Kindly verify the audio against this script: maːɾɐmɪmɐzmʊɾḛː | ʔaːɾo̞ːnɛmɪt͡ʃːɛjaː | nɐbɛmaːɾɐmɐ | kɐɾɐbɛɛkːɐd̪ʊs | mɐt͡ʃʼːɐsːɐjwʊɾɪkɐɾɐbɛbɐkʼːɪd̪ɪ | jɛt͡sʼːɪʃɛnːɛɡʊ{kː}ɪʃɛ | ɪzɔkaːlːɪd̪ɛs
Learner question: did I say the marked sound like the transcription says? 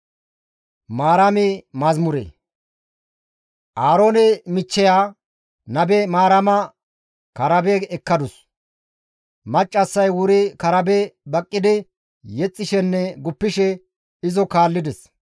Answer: no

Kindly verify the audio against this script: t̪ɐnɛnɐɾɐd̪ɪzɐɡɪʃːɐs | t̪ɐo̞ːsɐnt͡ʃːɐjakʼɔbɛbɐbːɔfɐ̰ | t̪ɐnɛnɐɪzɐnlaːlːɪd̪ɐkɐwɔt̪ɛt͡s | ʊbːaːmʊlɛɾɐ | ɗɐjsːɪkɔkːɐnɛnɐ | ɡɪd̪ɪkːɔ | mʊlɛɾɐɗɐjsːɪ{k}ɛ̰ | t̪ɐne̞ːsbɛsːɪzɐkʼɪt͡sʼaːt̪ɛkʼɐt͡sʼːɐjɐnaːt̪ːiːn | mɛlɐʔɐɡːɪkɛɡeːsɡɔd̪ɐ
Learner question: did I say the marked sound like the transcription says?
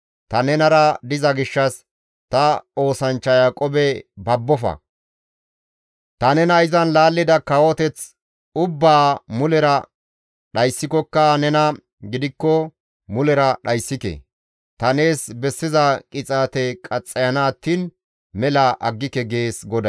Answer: yes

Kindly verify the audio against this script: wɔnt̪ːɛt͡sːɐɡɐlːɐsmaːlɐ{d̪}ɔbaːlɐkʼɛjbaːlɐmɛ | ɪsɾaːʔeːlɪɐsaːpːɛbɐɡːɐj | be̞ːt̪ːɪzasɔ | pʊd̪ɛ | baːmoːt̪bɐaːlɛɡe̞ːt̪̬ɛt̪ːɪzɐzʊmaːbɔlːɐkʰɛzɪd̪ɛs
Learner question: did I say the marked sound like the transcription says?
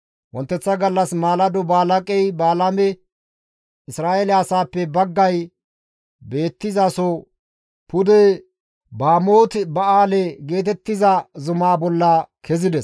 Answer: yes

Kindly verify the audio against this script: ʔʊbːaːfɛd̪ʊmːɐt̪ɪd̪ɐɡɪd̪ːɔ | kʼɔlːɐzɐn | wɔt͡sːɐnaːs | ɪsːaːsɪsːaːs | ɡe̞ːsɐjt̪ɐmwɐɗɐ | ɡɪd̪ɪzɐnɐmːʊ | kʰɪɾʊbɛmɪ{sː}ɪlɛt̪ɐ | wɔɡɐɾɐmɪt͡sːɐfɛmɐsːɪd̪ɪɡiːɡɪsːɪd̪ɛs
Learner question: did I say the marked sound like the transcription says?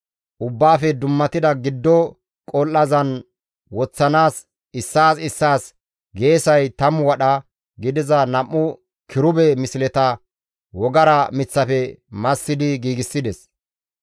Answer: no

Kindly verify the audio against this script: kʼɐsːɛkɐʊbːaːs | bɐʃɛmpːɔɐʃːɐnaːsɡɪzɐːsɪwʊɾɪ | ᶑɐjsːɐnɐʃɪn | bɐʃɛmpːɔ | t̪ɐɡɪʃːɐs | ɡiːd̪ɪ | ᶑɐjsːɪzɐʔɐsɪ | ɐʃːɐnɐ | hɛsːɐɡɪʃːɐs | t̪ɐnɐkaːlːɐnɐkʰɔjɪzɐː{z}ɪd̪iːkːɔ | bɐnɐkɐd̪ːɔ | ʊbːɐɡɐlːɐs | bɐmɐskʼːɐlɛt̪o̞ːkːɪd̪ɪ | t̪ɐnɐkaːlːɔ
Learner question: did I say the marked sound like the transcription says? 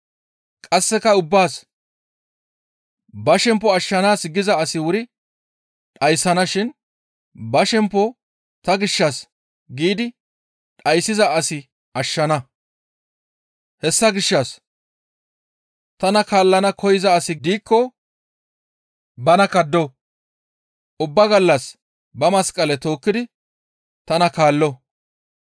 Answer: no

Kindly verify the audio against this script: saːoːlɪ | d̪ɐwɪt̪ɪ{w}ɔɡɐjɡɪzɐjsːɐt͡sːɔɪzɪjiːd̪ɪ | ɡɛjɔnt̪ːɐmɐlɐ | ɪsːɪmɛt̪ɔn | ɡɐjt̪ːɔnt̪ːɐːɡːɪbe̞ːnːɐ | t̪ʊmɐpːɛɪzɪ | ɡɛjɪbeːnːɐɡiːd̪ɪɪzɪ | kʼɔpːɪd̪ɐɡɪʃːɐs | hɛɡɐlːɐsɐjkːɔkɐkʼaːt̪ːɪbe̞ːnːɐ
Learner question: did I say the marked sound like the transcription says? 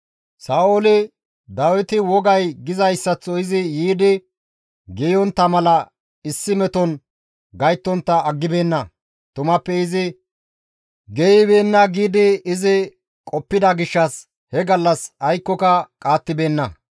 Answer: yes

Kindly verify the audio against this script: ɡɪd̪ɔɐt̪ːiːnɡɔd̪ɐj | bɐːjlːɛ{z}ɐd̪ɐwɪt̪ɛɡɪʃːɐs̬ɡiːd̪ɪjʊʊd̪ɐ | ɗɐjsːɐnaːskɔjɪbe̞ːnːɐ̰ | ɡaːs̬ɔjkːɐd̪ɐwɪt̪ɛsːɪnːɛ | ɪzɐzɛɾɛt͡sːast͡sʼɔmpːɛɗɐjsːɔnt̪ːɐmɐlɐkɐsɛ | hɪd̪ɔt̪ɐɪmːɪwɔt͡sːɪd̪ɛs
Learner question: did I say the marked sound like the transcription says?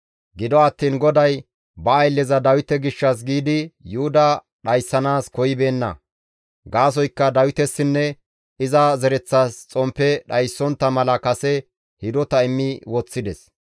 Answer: yes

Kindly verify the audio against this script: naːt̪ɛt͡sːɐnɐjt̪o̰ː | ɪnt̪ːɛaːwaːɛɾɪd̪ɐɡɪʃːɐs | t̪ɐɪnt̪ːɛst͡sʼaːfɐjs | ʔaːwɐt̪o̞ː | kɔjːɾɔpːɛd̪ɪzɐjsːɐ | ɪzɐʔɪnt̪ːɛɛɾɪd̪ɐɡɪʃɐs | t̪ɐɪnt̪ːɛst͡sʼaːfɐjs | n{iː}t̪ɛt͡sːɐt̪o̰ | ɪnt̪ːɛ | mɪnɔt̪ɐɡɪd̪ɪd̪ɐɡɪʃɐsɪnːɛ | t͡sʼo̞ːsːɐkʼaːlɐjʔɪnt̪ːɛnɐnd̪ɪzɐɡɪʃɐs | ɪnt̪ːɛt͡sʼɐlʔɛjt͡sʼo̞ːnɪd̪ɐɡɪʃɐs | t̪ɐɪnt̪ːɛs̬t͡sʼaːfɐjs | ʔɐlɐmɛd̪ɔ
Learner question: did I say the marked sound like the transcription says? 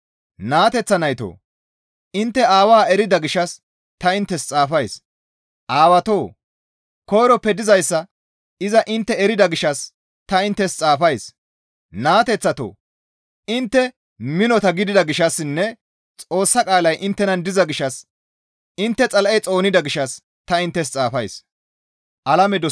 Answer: no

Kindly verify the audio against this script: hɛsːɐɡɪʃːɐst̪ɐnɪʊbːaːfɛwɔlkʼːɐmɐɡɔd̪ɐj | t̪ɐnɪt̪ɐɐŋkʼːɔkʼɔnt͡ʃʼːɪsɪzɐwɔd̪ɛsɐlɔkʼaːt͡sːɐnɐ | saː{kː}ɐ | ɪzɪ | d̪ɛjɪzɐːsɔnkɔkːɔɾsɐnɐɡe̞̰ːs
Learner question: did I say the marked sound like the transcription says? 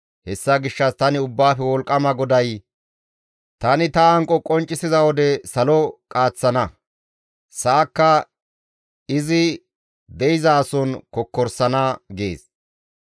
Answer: yes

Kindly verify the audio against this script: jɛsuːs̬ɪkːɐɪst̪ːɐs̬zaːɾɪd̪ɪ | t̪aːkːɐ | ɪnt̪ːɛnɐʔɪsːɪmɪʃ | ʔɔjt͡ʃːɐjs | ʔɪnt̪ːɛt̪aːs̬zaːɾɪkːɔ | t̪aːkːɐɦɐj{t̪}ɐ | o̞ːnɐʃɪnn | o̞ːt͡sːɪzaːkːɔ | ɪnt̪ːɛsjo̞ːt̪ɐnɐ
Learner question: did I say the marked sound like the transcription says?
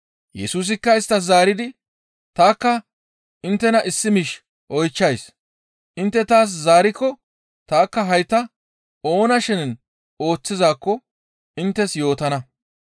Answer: yes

